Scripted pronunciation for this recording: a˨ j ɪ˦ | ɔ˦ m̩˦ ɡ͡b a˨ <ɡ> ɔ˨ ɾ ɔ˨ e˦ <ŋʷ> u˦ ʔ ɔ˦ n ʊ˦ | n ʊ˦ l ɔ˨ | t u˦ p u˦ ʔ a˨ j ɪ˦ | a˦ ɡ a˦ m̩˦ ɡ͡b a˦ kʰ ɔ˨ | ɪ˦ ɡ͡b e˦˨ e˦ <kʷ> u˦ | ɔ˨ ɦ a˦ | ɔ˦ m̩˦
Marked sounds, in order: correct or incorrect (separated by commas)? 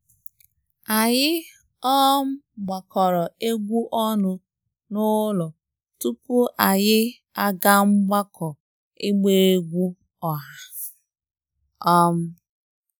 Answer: incorrect, incorrect, incorrect